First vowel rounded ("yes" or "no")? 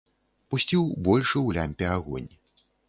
yes